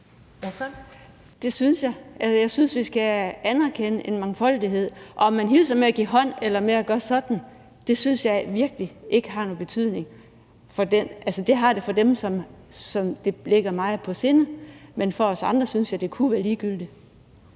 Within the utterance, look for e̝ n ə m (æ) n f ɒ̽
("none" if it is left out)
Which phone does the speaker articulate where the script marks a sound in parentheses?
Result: e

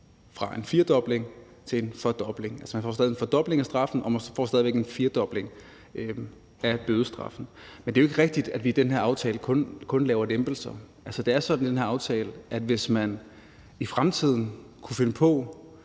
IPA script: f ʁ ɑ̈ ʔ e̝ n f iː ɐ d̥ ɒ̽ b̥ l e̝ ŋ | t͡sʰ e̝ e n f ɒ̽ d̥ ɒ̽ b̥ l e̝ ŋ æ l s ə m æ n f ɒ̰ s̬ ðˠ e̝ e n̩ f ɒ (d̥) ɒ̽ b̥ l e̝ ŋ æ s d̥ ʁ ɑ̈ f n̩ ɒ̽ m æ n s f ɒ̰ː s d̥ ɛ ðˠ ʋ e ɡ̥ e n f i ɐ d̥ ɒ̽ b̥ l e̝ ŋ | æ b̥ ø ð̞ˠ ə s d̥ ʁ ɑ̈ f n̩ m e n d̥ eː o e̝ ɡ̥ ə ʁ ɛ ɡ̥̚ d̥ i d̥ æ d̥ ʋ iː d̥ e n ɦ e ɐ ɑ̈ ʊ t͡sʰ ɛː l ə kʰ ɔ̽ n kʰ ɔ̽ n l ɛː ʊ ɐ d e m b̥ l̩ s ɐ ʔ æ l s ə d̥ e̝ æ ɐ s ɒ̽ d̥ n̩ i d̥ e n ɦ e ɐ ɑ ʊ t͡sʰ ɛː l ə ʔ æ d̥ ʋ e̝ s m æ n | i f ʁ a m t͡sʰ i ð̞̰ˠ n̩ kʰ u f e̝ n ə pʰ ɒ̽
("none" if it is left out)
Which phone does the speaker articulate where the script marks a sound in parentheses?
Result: d̥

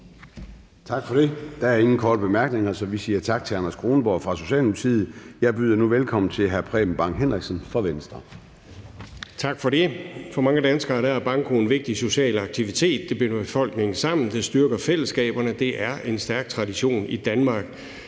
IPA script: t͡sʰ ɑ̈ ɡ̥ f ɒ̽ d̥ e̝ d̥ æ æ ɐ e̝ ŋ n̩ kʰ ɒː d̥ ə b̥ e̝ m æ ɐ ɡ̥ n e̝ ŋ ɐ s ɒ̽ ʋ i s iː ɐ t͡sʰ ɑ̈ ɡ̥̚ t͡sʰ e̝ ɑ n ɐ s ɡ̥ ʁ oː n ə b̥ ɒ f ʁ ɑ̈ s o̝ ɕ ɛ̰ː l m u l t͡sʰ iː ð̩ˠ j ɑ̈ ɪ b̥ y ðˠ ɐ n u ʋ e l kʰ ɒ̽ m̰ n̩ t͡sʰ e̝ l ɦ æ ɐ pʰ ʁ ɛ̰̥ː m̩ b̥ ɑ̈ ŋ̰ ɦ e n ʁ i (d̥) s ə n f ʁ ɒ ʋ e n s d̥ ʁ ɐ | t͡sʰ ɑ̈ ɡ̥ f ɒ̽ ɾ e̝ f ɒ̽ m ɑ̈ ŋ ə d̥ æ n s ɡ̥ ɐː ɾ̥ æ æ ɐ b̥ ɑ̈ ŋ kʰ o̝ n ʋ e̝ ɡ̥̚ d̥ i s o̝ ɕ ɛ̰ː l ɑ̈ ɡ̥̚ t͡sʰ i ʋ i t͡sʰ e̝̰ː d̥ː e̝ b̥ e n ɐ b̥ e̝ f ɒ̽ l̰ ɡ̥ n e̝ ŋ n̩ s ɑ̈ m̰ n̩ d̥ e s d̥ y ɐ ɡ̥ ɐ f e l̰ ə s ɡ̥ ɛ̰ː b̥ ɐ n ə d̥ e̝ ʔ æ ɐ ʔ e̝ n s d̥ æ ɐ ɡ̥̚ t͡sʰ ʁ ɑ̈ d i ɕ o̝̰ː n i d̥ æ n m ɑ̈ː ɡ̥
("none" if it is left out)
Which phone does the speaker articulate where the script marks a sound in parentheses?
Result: ɡ̥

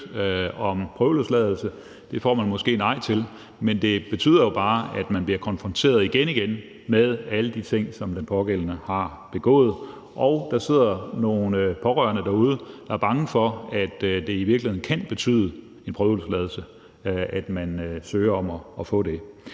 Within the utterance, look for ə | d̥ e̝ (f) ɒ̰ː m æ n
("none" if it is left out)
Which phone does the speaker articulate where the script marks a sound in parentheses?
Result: f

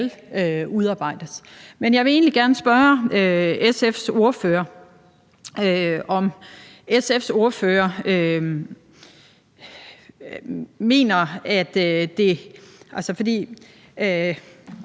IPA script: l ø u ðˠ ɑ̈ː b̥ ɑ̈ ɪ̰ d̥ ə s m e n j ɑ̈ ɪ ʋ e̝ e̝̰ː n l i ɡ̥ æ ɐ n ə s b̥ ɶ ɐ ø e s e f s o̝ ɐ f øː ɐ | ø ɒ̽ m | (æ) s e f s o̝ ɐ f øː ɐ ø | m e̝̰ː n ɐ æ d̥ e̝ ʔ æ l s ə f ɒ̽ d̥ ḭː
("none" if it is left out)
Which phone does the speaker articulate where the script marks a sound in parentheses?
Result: e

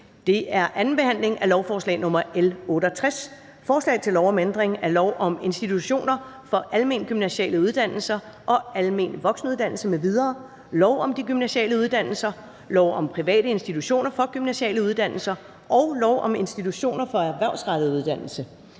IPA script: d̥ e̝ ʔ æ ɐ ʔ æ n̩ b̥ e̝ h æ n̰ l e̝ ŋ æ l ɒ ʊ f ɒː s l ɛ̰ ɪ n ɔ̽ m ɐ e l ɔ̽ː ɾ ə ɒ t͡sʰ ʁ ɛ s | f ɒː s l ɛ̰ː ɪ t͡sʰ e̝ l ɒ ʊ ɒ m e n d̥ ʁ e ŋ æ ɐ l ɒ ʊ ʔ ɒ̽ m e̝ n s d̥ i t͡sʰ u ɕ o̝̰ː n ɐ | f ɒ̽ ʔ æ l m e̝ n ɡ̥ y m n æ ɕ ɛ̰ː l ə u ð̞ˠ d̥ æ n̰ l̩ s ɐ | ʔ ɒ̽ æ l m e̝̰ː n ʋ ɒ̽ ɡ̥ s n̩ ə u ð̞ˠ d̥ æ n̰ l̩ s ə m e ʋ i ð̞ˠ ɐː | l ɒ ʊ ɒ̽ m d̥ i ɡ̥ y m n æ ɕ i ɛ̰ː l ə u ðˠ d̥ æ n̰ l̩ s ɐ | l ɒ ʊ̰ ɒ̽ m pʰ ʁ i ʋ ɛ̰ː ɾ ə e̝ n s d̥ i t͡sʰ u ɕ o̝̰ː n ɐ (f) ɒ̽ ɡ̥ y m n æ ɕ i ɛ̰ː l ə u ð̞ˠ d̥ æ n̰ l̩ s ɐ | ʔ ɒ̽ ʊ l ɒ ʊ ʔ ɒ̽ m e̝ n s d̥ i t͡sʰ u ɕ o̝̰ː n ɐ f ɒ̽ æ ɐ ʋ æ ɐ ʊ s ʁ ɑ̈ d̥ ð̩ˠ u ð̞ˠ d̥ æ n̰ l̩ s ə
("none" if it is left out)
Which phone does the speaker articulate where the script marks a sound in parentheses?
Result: f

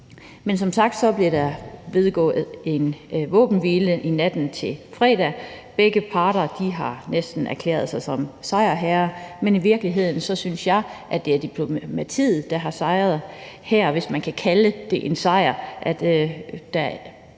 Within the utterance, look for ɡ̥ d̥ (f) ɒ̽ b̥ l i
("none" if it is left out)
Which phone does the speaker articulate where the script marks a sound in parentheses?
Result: s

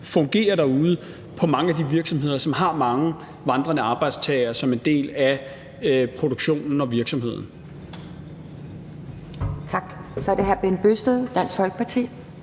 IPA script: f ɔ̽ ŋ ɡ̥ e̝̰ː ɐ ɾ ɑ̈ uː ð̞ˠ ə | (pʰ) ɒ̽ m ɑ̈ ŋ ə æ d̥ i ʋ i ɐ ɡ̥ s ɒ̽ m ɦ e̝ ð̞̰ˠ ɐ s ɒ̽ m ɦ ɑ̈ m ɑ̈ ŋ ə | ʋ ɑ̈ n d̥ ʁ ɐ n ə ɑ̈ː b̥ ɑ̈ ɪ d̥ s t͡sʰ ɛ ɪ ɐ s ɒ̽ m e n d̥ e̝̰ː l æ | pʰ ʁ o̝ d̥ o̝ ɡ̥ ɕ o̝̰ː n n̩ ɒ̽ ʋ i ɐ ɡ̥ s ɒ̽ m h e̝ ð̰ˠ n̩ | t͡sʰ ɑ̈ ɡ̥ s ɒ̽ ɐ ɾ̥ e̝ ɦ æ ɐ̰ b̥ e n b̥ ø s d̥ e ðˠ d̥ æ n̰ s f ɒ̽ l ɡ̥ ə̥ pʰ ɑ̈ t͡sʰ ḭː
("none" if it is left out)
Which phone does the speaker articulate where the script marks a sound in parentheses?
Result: pʰ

